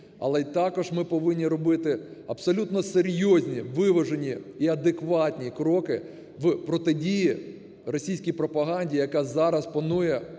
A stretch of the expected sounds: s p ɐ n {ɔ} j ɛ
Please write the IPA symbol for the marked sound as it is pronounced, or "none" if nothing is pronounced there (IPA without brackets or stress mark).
u